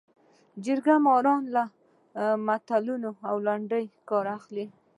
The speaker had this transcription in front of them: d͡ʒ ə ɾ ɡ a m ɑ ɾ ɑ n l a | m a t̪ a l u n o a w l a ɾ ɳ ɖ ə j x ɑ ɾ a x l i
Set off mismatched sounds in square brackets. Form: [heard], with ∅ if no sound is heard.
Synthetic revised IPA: d͡ʒ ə ɾ ɡ a m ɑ ɾ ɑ n l a | m a t̪ a l u n o a w l a [∅] ɳ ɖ ə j [k] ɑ ɾ a x l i